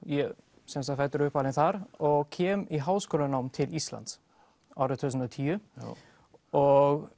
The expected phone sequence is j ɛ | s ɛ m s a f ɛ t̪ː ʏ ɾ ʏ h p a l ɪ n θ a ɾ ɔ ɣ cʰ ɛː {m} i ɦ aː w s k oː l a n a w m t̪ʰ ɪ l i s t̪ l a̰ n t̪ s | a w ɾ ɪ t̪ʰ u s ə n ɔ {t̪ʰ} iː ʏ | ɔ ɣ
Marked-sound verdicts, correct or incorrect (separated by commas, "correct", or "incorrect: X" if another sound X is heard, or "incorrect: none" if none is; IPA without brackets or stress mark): correct, correct